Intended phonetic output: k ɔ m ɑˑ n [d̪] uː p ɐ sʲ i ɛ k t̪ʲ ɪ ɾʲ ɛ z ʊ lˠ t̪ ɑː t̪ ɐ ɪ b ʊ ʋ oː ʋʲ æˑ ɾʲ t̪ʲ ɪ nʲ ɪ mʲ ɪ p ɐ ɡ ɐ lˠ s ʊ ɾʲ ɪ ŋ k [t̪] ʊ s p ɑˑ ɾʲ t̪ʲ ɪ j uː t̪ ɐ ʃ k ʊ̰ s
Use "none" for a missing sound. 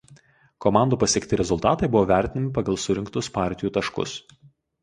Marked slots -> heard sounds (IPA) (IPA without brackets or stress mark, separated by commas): d̪, t̪